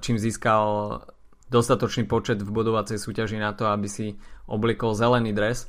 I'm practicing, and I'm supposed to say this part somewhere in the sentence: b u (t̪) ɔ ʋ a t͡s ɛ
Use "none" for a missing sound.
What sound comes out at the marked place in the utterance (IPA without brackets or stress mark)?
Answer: d̪